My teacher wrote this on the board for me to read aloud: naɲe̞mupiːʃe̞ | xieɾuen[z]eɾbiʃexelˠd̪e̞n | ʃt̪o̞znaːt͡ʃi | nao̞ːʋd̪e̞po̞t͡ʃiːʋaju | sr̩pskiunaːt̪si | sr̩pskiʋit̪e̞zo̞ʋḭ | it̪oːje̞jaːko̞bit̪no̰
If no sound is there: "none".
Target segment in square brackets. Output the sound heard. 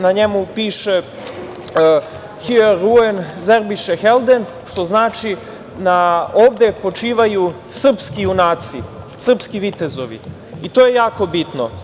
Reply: z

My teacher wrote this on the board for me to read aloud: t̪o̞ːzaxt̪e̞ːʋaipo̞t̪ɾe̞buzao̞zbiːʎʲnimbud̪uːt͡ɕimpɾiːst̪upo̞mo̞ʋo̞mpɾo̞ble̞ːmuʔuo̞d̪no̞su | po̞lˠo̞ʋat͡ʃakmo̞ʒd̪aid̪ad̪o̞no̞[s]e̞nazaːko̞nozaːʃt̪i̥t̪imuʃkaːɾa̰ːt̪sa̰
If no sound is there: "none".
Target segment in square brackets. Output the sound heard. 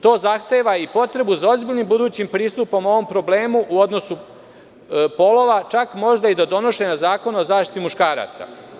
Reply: ʃ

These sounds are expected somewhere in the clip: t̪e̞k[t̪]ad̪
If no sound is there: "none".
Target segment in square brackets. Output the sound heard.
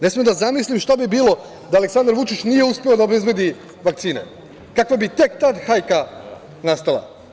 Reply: t̪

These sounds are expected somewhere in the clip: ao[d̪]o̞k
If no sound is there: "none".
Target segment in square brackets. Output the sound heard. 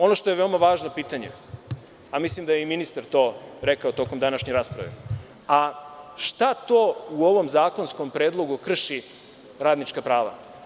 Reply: t̪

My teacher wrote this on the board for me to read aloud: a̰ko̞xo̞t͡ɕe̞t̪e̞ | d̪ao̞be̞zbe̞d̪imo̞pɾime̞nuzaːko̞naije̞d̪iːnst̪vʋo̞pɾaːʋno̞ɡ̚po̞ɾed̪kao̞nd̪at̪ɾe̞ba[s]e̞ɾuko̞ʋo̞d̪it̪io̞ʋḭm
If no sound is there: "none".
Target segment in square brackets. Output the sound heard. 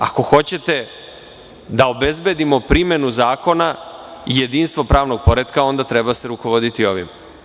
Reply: s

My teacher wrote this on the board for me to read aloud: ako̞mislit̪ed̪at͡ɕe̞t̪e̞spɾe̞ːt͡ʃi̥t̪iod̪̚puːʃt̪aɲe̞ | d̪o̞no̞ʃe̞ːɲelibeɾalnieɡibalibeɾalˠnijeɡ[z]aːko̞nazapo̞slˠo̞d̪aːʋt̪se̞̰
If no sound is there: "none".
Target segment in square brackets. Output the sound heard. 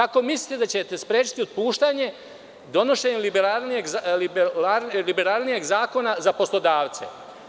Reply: z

